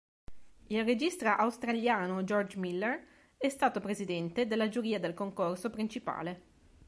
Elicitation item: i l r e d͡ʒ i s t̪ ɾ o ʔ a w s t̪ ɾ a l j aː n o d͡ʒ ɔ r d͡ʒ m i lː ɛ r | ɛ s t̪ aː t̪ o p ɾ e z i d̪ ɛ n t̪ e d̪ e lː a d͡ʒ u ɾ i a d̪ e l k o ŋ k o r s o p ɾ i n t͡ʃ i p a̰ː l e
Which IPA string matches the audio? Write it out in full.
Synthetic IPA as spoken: i l r e d͡ʒ i s t̪ ɾ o ʔ a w s t̪ ɾ a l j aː n o d͡ʒ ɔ r d͡ʒ m i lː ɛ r | ɛ s t̪ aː t̪ o p ɾ e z i d̪ ɛ n t̪ e d̪ e lː a d͡ʒ u ɾ iː a d̪ e l k o ŋ k o r s o p ɾ i n t͡ʃ i p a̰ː l e